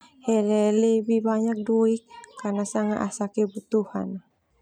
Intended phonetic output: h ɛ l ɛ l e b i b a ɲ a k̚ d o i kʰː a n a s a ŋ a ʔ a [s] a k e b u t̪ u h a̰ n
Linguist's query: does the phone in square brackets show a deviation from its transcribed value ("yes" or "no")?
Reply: no